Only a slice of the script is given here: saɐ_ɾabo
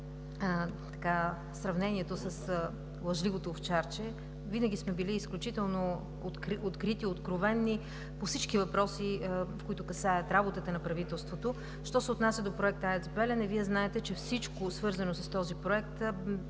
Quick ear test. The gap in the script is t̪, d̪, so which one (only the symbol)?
t̪